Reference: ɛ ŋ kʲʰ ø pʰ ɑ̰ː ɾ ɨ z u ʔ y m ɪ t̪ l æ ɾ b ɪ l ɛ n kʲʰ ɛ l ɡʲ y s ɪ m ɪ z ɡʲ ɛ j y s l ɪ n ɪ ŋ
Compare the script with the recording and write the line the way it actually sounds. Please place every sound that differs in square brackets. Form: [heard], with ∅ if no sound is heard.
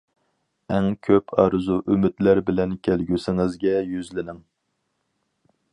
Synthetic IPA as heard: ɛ ŋ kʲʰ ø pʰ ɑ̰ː ɾ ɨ z u ʔ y m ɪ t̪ l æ ɾ b ɪ l ɛ n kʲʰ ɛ l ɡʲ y s ɪ [ŋ] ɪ z ɡʲ ɛ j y [z] l ɪ n ɪ ŋ